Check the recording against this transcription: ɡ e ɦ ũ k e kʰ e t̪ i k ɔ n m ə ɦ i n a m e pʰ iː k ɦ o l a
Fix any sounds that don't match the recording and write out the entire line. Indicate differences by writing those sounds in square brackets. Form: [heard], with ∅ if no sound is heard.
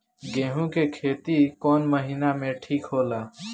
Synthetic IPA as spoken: ɡ e ɦ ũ k e kʰ e t̪ i k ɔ n m ə ɦ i n a m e [ʈʰ] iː k ɦ o l a